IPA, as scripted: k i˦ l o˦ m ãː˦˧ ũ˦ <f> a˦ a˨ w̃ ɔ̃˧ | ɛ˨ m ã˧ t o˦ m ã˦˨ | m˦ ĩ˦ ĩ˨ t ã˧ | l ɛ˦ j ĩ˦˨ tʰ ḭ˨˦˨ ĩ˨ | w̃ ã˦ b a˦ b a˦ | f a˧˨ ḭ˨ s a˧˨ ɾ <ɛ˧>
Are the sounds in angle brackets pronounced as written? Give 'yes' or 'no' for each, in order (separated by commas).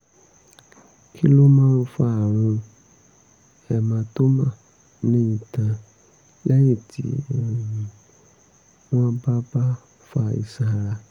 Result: yes, no